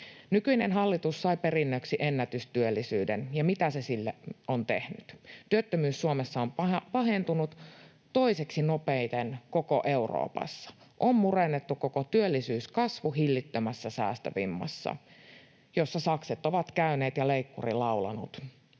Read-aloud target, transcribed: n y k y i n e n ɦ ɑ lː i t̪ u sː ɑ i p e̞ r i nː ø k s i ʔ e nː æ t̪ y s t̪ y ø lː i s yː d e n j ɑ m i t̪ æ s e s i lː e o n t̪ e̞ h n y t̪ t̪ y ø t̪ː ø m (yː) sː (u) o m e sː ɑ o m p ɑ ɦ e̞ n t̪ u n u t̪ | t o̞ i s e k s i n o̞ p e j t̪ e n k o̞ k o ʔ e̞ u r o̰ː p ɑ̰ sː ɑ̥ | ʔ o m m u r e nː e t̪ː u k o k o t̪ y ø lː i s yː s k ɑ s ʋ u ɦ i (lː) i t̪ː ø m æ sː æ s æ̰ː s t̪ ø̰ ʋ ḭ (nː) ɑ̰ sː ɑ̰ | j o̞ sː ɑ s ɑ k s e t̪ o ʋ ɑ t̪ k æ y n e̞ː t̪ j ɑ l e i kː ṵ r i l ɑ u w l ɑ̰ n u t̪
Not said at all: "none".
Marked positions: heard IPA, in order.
yː, u, lː, mː

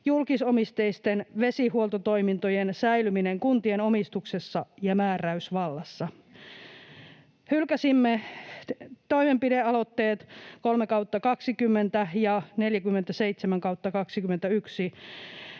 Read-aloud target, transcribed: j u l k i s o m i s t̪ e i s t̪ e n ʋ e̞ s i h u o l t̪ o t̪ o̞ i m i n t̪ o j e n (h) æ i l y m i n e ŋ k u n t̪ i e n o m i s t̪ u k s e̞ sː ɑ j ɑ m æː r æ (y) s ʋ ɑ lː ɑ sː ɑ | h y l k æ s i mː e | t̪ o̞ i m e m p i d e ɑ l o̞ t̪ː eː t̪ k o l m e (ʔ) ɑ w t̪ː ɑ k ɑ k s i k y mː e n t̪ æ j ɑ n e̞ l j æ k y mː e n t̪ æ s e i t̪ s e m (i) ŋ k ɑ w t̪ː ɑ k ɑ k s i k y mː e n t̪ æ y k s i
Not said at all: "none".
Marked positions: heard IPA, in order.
s, y, k, æ

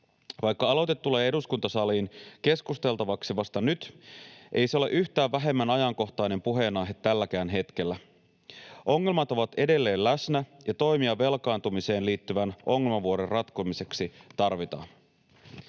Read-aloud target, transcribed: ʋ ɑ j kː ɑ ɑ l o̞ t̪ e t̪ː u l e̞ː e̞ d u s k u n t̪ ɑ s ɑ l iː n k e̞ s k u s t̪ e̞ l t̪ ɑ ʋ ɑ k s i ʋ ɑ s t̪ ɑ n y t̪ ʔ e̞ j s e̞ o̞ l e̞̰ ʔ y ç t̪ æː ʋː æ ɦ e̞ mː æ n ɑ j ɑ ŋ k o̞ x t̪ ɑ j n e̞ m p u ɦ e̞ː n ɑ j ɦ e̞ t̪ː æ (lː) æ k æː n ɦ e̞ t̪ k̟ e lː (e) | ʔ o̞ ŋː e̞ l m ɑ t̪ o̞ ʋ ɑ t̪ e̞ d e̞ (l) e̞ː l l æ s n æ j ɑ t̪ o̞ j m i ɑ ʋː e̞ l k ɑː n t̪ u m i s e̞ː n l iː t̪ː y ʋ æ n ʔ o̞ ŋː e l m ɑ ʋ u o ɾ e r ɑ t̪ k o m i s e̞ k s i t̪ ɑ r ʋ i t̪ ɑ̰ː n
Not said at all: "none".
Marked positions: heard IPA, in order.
lː, æ, lː

